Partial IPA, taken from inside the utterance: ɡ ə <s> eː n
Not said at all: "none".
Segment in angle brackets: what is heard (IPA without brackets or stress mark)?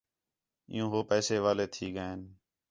none